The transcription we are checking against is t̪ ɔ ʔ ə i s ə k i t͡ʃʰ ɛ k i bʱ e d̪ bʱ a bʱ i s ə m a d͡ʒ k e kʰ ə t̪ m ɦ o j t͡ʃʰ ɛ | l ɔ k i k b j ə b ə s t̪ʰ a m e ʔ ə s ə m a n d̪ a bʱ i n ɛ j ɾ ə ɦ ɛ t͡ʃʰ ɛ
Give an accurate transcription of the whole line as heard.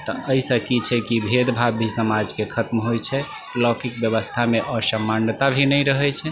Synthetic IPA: t̪ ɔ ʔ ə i s ə k i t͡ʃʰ ɛ k i bʱ e d̪ bʱ a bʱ i s ə m a d͡ʒ k e kʰ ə t̪ m ɦ o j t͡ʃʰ ɛ | l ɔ k i k b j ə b ə s t̪ʰ a m e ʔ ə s ə m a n t̪ a bʱ i n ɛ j ɾ ə ɦ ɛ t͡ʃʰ ɛ